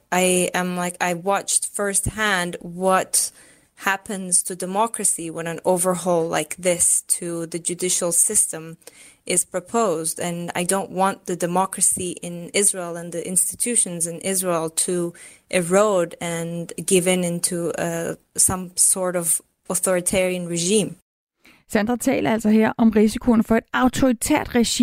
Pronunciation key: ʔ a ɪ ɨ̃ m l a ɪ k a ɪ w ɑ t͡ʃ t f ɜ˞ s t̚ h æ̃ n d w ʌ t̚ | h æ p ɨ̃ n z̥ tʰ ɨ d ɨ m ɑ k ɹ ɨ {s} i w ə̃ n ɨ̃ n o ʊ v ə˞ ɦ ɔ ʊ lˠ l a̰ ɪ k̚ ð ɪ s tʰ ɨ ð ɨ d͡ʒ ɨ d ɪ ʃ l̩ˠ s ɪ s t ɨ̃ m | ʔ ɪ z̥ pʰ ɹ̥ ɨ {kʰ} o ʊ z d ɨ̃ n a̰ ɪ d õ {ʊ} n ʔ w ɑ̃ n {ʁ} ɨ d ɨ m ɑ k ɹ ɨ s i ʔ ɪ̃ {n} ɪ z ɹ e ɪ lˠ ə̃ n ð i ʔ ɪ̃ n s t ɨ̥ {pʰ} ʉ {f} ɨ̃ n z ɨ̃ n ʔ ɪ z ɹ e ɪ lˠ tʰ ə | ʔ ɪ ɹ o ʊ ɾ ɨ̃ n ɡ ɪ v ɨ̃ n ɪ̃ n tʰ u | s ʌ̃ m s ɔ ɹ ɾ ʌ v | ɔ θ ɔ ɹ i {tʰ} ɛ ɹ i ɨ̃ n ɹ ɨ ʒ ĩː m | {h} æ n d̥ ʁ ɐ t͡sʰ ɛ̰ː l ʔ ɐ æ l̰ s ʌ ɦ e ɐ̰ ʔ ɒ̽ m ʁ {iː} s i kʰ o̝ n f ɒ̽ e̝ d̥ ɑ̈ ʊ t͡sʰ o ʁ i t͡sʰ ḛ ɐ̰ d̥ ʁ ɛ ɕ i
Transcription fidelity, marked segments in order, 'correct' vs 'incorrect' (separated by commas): correct, incorrect, incorrect, incorrect, correct, incorrect, incorrect, correct, incorrect, incorrect